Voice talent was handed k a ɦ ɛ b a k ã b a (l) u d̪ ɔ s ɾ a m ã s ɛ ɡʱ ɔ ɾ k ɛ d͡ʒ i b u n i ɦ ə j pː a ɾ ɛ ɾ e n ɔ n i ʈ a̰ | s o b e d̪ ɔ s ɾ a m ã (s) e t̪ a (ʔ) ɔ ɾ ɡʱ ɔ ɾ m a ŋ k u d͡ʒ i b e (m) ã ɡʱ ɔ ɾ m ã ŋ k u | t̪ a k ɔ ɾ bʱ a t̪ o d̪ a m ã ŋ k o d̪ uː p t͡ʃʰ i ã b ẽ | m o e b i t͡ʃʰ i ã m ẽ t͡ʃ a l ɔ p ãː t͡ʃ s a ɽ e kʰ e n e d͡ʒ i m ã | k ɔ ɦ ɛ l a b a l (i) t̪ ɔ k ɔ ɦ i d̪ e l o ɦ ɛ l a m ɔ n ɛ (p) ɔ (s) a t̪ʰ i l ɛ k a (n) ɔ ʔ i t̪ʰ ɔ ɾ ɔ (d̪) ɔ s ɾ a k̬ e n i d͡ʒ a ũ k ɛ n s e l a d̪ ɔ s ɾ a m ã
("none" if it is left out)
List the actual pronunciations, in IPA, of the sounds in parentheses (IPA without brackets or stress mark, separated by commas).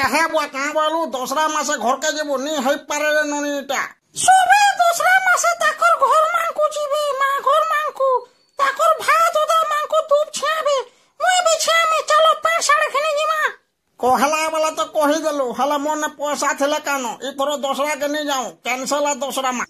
l, s, k, m, a, p, s, n, d̪